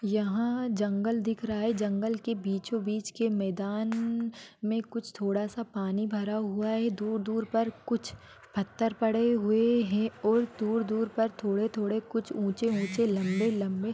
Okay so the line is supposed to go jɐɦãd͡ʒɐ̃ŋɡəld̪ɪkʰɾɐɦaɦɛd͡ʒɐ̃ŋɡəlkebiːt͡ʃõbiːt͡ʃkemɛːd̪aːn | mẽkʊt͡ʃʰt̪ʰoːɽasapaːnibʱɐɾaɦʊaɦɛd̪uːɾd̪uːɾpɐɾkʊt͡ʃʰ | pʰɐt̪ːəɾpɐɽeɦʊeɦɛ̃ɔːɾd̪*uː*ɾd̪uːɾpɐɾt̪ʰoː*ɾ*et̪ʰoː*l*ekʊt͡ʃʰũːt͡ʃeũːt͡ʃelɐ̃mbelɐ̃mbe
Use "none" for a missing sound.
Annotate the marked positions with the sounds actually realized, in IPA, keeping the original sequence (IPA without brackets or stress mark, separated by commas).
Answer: uː, ɽ, ɽ